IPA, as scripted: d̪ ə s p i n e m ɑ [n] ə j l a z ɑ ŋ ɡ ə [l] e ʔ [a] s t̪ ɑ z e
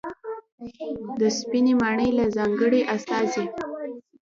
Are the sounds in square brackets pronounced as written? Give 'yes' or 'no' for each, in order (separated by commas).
no, no, yes